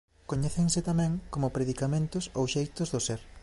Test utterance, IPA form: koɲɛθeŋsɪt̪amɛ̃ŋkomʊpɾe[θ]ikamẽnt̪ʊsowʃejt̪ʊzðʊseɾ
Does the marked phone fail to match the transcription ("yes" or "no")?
yes